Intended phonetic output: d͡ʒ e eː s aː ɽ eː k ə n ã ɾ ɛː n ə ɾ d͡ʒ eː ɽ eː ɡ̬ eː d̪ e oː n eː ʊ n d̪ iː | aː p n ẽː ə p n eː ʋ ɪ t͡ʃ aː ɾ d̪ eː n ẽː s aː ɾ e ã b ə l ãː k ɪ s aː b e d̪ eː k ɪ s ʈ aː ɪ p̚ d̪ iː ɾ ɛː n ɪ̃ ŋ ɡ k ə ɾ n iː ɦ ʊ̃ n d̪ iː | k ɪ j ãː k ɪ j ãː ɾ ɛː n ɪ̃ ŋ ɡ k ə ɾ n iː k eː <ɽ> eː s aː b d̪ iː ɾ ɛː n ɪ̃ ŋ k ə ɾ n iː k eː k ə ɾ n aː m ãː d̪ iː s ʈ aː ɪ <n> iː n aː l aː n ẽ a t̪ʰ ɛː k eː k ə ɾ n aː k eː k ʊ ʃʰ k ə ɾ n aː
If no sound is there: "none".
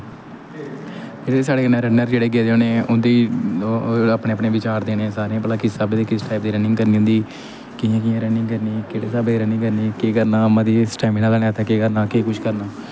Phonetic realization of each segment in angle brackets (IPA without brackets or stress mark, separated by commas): ɽ, m